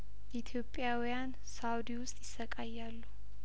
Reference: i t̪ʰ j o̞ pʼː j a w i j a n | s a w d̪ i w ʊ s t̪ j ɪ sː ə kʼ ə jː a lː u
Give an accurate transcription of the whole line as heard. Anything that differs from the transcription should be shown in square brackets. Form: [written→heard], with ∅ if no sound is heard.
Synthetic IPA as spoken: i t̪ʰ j o̞ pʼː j a w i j a n | s a w d̪ i w ʊ s [t̪→t̪ʼ] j ɪ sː ə kʼ [ə→a] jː a lː u